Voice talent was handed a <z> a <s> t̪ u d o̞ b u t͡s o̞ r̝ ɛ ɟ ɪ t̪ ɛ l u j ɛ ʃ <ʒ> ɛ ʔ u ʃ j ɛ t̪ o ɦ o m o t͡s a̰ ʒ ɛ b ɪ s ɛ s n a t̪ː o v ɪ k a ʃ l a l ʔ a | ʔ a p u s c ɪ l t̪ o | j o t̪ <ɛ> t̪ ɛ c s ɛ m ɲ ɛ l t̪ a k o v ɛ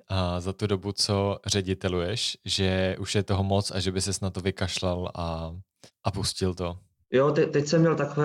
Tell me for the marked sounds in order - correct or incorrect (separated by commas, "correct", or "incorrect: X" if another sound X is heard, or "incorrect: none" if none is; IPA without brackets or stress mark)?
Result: correct, incorrect: none, correct, correct